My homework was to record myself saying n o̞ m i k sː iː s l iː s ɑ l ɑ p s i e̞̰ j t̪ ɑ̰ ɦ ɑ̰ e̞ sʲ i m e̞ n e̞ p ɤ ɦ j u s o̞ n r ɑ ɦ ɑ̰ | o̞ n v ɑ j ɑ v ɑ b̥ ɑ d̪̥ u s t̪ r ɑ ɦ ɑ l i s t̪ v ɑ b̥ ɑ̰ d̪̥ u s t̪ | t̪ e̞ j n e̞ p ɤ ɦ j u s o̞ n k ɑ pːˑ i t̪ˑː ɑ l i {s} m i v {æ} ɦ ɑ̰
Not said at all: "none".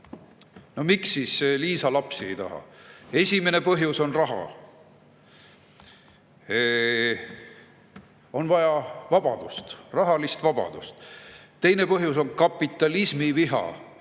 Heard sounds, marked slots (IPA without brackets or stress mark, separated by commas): s, i